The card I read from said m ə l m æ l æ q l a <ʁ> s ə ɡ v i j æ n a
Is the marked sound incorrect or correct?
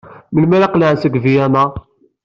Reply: incorrect: ʕ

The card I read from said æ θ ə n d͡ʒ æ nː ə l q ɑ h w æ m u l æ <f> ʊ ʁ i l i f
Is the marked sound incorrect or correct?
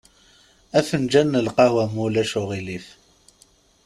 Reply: incorrect: ʃ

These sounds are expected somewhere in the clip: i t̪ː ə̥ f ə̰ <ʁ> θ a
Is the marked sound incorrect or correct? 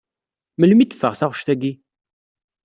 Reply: correct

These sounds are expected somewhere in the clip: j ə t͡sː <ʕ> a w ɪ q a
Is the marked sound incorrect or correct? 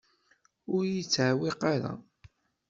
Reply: correct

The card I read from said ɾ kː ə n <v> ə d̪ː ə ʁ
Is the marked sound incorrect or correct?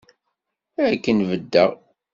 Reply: correct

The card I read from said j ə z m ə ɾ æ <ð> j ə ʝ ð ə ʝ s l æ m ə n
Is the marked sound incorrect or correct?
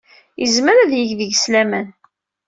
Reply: correct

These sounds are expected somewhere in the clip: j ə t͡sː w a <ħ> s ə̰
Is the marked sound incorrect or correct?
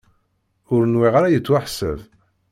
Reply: correct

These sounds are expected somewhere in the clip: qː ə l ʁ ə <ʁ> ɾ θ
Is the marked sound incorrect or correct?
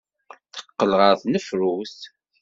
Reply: incorrect: none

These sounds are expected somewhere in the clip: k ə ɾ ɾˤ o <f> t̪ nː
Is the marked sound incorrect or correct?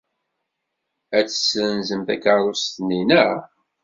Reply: incorrect: s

